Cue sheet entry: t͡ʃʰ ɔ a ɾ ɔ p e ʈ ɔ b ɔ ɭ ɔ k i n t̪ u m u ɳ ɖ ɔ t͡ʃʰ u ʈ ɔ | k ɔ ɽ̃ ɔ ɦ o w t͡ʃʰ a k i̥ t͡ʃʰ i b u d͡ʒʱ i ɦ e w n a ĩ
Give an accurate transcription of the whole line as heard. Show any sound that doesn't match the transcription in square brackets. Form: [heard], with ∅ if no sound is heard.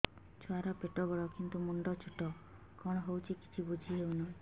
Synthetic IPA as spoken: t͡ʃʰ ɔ a ɾ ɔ p e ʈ ɔ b ɔ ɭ ɔ k i n t̪ u m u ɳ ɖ ɔ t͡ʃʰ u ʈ ɔ | k ɔ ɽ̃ ɔ ɦ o w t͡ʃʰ [i] k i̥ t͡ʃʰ i b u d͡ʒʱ i ɦ e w n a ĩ